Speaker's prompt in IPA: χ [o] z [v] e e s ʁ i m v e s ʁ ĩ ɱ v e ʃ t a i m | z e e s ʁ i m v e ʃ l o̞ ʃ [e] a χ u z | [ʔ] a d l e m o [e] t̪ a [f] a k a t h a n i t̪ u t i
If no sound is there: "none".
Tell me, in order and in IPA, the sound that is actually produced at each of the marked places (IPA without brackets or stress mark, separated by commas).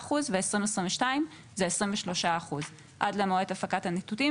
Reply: u, v, a, ʔ, e, f